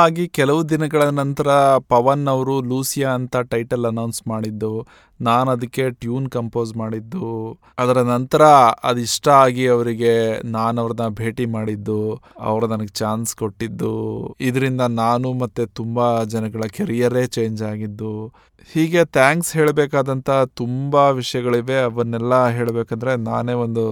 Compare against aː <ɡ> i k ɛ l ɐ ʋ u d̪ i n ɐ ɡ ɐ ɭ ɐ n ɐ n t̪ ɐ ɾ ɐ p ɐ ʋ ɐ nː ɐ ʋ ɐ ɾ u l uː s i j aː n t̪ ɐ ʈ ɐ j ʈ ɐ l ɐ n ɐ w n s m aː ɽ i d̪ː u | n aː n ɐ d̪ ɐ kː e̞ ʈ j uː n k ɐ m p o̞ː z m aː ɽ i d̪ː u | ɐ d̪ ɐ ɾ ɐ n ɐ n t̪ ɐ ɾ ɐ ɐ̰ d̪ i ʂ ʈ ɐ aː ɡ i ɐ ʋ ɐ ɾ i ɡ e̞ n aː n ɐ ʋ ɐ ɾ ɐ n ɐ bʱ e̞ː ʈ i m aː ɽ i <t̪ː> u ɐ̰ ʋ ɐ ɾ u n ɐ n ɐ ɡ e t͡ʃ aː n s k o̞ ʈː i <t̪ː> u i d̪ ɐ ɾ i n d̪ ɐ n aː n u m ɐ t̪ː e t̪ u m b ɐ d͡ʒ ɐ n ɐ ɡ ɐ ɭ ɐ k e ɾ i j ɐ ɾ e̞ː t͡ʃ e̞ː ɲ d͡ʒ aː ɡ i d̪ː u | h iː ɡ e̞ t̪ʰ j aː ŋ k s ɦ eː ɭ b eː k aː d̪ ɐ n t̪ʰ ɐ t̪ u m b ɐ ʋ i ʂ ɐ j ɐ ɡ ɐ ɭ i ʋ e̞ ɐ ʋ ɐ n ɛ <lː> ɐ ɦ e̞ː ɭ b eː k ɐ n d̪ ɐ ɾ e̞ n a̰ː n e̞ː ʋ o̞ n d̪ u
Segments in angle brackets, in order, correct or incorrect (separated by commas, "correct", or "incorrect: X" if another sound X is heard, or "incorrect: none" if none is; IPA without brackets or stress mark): correct, incorrect: d̪ː, incorrect: d̪ː, correct